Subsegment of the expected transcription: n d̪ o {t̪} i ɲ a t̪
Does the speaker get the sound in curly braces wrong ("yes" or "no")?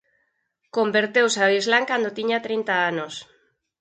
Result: no